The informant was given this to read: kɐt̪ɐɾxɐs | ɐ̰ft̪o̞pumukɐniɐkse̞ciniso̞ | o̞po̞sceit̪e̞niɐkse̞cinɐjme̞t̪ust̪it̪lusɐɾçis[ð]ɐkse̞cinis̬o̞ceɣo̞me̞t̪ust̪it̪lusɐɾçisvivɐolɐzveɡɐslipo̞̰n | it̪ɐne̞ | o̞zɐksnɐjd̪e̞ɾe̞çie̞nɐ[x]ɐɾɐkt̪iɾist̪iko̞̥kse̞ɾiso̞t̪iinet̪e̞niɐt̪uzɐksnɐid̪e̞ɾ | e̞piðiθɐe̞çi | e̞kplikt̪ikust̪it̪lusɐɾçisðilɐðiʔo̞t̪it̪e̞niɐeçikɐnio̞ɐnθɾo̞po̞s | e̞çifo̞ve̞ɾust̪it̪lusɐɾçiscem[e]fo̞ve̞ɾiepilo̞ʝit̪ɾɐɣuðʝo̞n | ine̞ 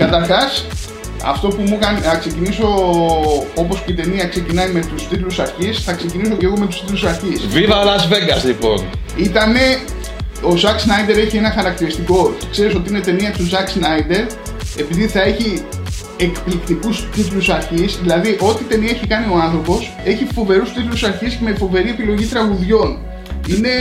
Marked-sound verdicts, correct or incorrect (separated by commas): incorrect, correct, correct